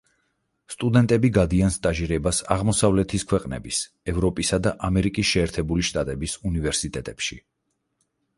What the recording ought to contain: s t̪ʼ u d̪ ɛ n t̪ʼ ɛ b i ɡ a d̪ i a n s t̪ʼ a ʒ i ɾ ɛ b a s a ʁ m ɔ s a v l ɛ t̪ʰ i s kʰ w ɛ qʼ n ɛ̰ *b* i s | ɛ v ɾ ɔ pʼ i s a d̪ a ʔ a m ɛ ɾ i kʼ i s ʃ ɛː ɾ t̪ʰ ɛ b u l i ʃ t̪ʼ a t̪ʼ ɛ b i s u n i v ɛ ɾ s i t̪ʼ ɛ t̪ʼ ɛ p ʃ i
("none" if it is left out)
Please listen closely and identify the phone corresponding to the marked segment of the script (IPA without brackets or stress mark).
b